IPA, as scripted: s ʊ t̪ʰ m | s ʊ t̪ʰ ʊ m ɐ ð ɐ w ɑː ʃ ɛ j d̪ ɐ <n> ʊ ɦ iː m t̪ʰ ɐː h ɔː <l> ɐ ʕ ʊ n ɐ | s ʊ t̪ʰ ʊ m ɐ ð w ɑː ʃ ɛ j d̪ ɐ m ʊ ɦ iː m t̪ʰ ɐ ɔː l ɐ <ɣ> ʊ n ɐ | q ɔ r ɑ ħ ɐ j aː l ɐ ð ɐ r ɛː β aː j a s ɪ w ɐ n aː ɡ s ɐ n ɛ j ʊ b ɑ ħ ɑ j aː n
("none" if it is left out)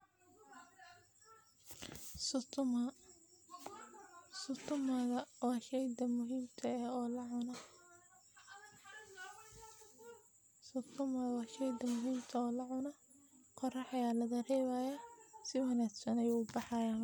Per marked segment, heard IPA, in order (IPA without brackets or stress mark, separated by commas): m, l, ʕ